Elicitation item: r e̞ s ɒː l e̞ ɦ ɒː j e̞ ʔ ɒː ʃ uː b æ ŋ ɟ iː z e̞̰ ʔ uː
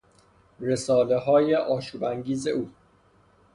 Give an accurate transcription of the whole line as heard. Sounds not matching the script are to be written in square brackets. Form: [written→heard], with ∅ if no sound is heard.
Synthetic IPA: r e̞ s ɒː l e̞ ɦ ɒː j e̞ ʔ ɒː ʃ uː b æ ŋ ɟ iː z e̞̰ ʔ uː

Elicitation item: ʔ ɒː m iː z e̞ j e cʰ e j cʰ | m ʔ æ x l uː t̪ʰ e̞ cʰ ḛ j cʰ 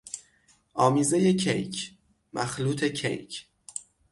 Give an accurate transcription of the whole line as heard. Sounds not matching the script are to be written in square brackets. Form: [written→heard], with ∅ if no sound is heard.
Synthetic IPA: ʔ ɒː m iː z e̞ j e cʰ e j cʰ | m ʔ æ x l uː t̪ʰ e̞ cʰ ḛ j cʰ

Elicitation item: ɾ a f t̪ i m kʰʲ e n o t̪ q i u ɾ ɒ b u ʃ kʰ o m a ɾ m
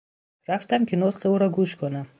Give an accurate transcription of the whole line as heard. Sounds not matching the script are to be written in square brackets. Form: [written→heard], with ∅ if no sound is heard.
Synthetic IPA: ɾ a f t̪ [i→a] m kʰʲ [e→i] n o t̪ q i u ɾ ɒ [b→ɡ] u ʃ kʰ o [m→n] a [ɾ→∅] m

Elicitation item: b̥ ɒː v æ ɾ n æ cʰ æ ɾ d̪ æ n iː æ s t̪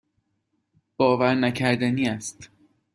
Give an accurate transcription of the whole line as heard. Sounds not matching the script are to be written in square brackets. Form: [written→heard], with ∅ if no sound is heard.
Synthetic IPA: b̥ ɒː v æ ɾ n æ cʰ æ ɾ d̪ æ n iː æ s t̪

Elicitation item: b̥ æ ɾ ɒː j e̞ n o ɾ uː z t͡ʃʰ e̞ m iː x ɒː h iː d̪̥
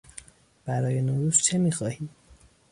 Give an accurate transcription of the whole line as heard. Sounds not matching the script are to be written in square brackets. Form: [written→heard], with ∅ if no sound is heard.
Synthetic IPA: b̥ æ ɾ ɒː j e̞ n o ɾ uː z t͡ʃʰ e̞ m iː x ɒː h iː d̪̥

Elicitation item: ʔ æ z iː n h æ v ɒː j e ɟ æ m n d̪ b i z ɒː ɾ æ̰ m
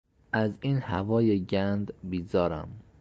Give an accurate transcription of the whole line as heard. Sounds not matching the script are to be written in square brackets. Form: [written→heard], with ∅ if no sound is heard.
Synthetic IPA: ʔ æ z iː n h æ v ɒː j e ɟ æ [m→∅] n d̪ b i z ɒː ɾ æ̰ m

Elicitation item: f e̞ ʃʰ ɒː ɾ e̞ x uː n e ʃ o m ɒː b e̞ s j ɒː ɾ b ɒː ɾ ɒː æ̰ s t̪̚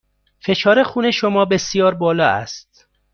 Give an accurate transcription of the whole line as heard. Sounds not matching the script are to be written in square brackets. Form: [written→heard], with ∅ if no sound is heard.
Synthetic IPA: f e̞ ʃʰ ɒː ɾ e̞ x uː n e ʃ o m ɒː b e̞ s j ɒː ɾ b ɒː [ɾ→l] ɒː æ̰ s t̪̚

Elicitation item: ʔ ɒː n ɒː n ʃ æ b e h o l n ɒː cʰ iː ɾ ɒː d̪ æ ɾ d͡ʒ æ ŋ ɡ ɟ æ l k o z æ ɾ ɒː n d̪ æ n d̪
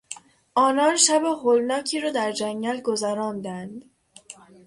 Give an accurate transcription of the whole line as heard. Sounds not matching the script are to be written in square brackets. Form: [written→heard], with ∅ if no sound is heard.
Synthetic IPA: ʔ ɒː n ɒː n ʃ æ b e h o l n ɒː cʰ iː ɾ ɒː d̪ æ ɾ d͡ʒ æ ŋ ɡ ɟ æ l [k→ɡ] o z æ ɾ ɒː n d̪ æ n d̪

